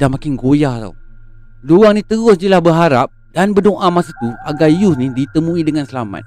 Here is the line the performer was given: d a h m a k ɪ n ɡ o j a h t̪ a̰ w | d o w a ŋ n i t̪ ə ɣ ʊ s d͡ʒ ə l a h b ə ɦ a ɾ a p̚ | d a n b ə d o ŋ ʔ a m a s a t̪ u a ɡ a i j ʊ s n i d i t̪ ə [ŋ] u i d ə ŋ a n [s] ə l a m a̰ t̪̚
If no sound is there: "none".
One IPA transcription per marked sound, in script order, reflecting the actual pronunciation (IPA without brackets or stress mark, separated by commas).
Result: m, s